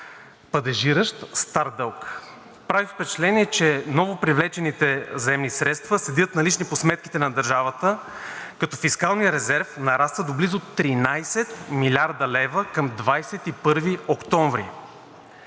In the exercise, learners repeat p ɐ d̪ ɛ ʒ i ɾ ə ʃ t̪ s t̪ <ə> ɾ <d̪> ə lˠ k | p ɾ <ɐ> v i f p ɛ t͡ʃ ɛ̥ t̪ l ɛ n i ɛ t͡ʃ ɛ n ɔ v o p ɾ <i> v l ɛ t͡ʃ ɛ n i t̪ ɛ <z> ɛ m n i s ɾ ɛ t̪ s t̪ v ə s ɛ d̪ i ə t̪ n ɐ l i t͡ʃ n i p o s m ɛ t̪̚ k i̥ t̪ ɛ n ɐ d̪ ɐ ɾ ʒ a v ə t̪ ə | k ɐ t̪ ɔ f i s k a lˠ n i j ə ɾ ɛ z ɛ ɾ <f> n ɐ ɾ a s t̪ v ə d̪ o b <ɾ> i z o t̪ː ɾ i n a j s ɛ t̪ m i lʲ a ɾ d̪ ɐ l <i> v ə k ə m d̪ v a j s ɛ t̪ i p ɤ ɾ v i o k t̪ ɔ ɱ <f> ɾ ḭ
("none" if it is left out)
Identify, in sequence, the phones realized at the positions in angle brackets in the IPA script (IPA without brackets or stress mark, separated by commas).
a, d̪, a, i, z, f, l, ɛ, v